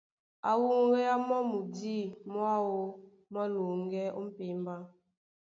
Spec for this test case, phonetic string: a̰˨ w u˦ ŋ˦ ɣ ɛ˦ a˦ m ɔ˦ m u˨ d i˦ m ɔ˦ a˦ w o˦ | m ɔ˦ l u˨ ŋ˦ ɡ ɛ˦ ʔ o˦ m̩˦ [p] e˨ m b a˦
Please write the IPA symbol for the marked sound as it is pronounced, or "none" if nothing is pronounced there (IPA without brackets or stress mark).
p